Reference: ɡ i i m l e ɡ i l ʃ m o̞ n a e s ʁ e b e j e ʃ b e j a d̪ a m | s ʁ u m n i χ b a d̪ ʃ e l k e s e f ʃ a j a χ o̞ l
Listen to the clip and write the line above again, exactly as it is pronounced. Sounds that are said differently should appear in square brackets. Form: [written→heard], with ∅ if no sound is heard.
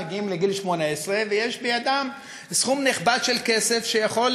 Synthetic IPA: ɡ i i m l e ɡ i l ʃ m o̞ n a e s ʁ e [b→v] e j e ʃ b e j a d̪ a m | s [ʁ→χ] u m n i χ b a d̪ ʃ e l k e s e f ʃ [a→e] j a χ o̞ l